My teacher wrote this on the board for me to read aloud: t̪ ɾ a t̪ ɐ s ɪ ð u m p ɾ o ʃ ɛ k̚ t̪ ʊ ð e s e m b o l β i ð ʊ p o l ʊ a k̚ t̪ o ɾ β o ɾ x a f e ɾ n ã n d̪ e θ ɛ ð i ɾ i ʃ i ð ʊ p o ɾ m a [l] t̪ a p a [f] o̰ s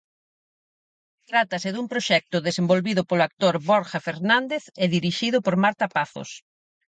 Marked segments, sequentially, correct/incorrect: incorrect, incorrect

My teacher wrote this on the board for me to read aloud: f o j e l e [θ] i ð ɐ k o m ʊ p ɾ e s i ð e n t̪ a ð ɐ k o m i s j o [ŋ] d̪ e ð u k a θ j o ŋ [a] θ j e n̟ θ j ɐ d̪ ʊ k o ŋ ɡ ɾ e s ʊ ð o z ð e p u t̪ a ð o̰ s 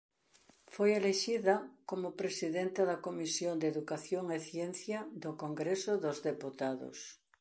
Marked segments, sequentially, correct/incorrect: incorrect, incorrect, incorrect

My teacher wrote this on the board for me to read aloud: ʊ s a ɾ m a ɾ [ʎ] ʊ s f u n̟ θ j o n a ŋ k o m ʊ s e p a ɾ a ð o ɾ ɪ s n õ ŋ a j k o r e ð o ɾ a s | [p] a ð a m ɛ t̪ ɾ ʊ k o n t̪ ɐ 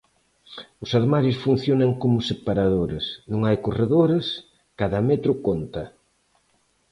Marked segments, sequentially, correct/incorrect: incorrect, incorrect

